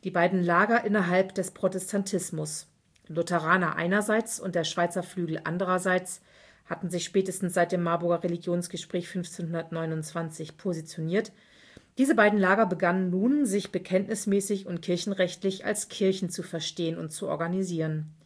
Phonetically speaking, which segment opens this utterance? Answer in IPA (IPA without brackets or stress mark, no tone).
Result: d̥